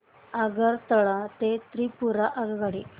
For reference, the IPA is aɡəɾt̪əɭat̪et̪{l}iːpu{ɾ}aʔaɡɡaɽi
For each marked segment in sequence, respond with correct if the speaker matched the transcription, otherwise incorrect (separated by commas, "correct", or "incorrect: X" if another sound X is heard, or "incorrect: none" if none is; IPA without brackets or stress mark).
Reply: incorrect: ɾ, correct